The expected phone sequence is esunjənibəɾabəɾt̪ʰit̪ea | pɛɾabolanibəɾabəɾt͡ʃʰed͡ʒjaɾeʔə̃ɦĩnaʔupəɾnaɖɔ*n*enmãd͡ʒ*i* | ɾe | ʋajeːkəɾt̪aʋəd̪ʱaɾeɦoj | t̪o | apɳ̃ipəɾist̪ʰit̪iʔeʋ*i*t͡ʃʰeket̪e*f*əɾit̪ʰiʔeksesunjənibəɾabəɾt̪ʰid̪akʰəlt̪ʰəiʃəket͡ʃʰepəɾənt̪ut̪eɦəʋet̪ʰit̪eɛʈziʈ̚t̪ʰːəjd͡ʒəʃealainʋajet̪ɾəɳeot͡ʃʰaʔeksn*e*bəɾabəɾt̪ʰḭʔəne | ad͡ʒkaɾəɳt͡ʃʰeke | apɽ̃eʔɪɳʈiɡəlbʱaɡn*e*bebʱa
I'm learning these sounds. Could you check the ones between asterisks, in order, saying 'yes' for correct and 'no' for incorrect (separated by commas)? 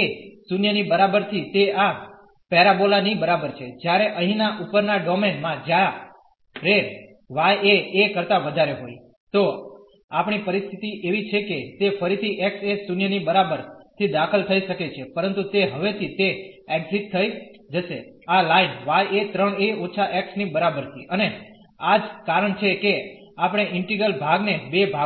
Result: no, no, yes, yes, no, yes